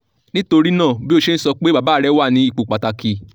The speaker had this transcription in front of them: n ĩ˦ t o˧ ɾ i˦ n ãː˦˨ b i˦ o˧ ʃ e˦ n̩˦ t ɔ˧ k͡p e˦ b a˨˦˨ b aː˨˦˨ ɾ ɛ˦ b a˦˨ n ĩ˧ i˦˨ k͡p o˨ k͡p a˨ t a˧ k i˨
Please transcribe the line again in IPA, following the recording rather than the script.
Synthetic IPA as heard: n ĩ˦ t o˧ ɾ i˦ n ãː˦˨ b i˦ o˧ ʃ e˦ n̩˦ s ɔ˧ k͡p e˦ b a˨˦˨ b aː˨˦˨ ɾ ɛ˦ w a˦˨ n ĩ˧ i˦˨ k͡p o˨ k͡p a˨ t a˧ k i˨